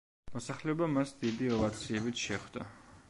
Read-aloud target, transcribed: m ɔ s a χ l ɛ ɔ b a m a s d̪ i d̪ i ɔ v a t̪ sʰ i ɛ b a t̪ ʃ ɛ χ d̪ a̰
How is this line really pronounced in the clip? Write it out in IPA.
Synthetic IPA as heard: m ɔ s a χ l ɛ ɔ b a m a s d̪ i d̪ i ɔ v a t̪ sʰ i ɛ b i t̪ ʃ ɛ χ d̪ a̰